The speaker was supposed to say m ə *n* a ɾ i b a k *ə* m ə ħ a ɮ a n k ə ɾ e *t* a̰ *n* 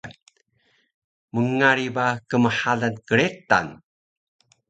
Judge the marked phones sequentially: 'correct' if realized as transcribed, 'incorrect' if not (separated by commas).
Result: incorrect, correct, correct, correct